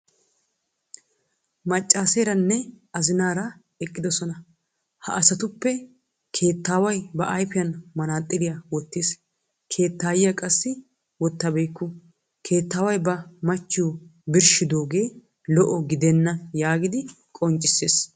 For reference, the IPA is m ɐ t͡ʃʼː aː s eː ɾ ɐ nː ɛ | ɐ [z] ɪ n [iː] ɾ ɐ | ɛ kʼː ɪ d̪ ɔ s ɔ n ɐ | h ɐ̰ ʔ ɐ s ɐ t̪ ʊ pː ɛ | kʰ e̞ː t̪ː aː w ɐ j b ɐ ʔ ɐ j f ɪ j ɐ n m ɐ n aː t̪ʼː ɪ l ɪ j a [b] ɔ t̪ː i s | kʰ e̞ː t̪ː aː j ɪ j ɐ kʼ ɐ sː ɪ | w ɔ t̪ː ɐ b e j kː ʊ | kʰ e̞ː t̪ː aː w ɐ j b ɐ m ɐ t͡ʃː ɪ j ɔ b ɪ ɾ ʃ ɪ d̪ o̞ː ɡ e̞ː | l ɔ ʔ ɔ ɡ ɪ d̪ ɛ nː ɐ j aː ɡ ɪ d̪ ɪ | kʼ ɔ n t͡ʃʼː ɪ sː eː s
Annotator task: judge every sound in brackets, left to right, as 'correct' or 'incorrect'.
correct, incorrect, incorrect

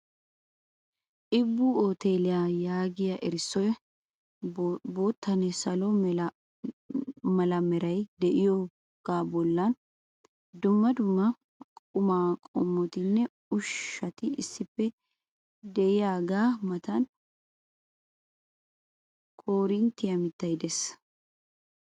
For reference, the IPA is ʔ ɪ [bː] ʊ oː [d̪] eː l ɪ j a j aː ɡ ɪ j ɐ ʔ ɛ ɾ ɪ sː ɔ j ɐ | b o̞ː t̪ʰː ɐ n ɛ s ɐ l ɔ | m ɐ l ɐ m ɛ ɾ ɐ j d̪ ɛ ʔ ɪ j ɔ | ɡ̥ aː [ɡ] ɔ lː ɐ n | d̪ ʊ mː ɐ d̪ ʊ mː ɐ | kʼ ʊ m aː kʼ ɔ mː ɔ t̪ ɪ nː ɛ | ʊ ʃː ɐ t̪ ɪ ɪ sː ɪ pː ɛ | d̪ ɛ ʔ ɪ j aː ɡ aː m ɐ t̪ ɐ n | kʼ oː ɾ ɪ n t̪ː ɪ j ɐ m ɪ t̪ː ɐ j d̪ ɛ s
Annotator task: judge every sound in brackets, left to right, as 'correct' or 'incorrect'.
correct, incorrect, incorrect

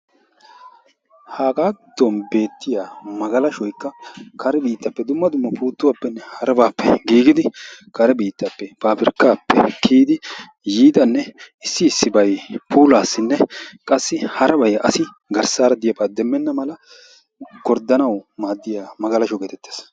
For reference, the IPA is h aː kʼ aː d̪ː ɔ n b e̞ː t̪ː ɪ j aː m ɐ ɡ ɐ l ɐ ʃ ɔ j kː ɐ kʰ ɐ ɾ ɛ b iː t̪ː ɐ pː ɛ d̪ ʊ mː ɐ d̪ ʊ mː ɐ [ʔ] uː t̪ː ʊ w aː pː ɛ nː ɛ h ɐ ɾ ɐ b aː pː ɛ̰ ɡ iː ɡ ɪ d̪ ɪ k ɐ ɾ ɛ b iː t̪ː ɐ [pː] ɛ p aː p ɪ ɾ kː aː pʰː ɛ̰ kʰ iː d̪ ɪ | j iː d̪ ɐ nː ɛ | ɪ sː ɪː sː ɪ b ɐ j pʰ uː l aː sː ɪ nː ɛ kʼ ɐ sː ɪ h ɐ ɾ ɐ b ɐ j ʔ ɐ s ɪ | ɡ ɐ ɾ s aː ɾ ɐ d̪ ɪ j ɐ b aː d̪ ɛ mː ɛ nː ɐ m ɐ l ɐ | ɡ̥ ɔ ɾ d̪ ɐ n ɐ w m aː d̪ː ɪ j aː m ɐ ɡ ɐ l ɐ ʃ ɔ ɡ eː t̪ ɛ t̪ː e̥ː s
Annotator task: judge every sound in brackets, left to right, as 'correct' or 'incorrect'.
incorrect, correct

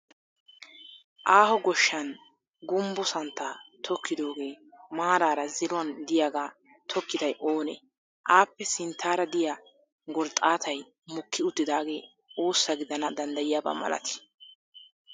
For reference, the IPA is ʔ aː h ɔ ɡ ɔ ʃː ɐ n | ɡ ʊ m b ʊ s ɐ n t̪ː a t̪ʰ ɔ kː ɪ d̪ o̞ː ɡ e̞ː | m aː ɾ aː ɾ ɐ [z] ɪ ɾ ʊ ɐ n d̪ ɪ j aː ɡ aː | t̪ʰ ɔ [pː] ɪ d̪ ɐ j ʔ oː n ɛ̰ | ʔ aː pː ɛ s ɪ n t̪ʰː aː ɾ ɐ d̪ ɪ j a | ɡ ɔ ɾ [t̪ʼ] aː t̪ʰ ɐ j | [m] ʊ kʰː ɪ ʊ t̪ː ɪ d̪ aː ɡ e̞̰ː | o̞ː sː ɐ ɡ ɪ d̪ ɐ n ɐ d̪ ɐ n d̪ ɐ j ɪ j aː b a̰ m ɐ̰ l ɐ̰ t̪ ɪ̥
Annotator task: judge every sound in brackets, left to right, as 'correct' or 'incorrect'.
correct, incorrect, correct, correct

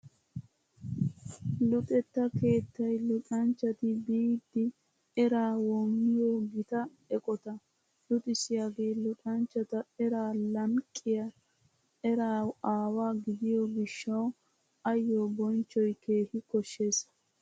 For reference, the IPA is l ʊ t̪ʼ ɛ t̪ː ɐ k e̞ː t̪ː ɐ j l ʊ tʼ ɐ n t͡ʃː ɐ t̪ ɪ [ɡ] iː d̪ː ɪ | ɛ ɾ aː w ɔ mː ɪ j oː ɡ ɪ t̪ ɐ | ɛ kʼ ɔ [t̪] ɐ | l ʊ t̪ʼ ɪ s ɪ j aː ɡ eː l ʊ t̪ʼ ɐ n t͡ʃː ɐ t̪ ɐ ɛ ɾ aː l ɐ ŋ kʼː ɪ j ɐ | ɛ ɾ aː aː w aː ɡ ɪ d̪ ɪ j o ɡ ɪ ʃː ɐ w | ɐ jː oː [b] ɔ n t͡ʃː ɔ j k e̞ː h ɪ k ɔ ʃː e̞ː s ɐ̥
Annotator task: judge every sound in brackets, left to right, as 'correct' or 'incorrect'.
incorrect, correct, correct

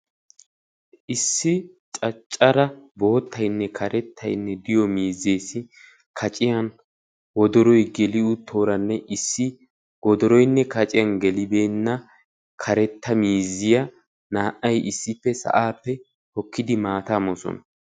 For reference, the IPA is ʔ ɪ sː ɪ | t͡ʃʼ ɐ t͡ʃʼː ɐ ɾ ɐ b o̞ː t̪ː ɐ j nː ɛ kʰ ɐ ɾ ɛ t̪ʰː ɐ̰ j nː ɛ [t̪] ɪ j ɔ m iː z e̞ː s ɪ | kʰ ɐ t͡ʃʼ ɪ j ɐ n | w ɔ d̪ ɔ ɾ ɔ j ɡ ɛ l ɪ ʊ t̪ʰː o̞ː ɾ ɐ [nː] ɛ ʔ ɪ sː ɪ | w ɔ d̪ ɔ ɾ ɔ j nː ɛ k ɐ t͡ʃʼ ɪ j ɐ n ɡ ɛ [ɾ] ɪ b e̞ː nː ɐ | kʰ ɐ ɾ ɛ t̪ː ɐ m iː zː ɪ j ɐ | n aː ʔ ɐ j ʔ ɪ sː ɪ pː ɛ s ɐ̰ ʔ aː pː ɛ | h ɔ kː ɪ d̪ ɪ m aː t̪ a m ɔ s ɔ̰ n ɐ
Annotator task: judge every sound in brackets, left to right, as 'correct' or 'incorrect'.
incorrect, correct, incorrect

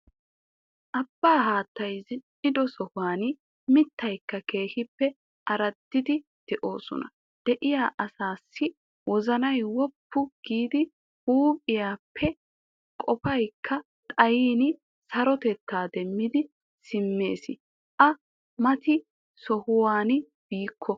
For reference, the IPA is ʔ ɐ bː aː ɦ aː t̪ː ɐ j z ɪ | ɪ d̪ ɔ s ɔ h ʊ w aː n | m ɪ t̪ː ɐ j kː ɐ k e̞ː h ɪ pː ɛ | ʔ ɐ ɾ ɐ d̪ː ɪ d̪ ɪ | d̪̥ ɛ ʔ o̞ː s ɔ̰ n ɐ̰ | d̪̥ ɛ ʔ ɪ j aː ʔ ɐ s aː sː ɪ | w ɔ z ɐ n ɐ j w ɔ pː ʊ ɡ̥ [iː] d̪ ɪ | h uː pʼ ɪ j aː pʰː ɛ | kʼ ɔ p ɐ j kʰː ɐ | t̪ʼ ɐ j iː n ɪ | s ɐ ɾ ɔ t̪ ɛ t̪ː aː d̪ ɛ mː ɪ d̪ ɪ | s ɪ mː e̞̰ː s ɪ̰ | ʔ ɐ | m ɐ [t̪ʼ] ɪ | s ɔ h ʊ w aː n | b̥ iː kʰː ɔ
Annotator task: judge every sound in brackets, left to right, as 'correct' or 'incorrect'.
correct, incorrect

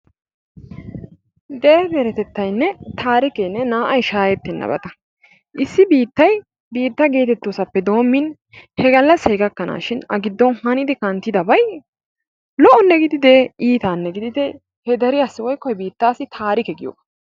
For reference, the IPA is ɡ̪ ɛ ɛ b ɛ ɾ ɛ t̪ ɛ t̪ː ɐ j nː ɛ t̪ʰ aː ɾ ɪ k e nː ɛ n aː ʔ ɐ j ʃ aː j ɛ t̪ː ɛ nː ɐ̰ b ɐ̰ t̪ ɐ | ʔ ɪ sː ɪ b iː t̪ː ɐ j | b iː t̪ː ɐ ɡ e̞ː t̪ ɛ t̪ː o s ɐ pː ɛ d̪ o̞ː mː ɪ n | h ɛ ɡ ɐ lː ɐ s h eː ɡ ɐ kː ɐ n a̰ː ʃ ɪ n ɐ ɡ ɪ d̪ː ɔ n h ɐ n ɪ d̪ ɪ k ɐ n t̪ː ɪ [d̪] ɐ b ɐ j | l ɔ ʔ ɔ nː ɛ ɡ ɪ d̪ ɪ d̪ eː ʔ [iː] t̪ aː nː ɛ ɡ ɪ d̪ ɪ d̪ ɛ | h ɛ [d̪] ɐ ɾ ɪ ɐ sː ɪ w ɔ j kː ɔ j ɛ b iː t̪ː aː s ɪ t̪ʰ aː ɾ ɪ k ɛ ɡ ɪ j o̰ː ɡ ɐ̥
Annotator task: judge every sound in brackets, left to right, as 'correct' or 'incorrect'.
correct, correct, correct

